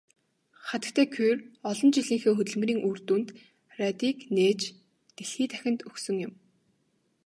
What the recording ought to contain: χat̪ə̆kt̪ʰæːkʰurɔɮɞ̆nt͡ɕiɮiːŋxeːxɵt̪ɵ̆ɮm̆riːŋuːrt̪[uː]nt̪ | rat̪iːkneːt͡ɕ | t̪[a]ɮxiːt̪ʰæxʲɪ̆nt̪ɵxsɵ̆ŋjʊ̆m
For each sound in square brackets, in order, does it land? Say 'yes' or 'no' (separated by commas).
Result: yes, no